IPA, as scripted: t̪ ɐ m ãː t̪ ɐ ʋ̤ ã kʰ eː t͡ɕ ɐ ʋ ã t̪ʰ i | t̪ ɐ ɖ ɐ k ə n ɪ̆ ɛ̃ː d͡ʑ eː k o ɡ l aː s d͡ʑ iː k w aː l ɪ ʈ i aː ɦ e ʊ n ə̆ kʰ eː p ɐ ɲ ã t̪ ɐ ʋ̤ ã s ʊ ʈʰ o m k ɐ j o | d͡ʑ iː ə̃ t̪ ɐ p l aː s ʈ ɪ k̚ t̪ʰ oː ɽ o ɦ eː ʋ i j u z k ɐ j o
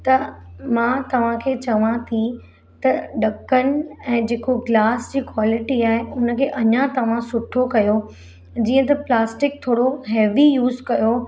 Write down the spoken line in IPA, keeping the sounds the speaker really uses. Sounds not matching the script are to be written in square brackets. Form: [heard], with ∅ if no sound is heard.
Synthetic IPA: t̪ ɐ m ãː t̪ ɐ ʋ̤ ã kʰ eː t͡ɕ ɐ ʋ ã t̪ʰ i | t̪ ɐ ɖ ɐ k ə n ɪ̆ ɛ̃ː d͡ʑ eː k o ɡ l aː s d͡ʑ iː k w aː l ɪ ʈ i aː ɦ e ʊ n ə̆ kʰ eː [ʔ] ɐ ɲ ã t̪ ɐ ʋ̤ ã s ʊ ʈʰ o [∅] k ɐ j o | d͡ʑ iː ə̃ t̪ ɐ p l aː s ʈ ɪ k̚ t̪ʰ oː ɽ o ɦ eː ʋ i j [uː] z k ɐ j o